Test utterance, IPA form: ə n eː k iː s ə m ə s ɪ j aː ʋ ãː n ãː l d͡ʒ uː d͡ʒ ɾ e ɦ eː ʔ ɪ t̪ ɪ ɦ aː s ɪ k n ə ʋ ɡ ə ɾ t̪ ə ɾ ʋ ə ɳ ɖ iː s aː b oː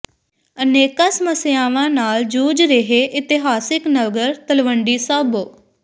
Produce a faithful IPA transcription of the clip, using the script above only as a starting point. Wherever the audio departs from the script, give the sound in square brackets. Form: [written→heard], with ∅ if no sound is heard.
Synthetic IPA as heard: ə n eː k [iː→aː] s ə m ə s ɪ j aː ʋ ãː n [ãː→aː] l d͡ʒ uː d͡ʒ ɾ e ɦ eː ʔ ɪ t̪ ɪ ɦ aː s ɪ k n ə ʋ ɡ ə ɾ t̪ ə [ɾ→l] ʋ ə ɳ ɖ iː s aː b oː